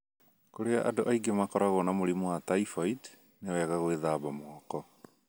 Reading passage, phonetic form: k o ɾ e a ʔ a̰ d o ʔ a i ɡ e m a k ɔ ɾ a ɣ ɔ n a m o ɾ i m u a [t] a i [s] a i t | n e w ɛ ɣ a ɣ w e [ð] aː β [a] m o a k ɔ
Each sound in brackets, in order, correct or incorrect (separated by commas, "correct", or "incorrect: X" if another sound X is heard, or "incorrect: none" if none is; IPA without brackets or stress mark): correct, incorrect: f, correct, correct